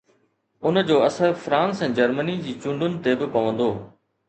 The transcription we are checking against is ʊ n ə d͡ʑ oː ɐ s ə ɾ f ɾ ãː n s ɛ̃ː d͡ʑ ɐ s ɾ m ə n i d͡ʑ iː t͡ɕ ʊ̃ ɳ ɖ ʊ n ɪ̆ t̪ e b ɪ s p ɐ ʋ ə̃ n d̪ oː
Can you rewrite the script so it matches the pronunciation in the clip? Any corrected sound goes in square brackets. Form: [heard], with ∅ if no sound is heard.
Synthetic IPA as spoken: ʊ n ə d͡ʑ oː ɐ s ə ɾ f ɾ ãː n s ɛ̃ː d͡ʑ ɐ [∅] ɾ m ə n i d͡ʑ iː t͡ɕ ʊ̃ ɳ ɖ ʊ n ɪ̆ t̪ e b ɪ [∅] p ɐ ʋ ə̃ n d̪ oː